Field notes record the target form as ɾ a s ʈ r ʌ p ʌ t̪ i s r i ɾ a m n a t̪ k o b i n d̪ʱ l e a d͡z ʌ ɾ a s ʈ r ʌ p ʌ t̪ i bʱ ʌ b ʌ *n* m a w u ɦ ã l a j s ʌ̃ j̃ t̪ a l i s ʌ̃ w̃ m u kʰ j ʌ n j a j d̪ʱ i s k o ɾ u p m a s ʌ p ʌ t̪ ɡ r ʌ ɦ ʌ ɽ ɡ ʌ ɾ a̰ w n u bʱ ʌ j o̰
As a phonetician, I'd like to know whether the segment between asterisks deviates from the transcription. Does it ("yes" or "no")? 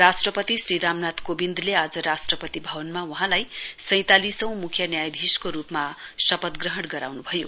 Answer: no